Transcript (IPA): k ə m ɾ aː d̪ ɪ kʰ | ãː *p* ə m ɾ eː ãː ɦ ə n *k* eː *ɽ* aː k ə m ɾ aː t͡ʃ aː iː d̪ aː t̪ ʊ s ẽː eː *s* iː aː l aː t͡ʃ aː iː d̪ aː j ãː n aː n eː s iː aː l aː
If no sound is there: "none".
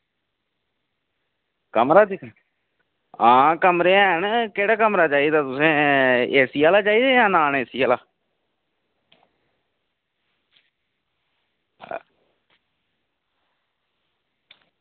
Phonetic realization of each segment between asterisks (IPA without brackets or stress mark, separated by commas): k, k, ɽ, s